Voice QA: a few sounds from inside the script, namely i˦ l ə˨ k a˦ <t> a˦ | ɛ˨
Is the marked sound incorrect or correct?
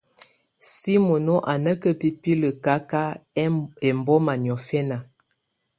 incorrect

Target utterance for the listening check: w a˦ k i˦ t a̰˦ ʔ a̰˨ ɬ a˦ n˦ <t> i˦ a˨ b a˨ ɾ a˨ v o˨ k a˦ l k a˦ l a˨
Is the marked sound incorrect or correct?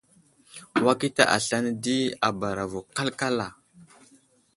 incorrect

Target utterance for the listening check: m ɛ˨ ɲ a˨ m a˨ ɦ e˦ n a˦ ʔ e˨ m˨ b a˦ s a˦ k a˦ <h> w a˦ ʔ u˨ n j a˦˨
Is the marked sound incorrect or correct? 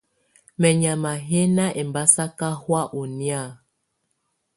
correct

